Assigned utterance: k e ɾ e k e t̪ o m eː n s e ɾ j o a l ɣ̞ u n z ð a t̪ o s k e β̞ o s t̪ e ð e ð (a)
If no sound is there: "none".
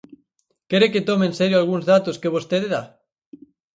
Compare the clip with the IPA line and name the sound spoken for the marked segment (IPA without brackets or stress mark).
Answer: a